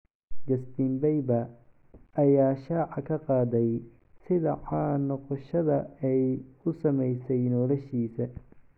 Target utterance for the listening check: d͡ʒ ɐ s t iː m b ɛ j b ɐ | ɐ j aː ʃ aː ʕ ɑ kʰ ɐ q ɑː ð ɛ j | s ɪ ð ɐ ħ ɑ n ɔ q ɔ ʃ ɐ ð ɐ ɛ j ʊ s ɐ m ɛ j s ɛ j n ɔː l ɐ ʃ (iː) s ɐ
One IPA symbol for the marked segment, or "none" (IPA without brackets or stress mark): iː